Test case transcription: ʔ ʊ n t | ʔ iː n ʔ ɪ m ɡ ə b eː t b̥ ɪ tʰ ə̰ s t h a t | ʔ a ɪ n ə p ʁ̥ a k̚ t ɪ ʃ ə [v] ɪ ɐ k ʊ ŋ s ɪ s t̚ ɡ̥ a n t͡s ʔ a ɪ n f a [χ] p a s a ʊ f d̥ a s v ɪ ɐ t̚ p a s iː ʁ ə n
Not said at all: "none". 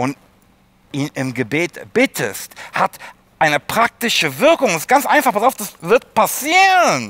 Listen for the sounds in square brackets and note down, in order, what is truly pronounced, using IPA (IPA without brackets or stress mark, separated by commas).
v, χ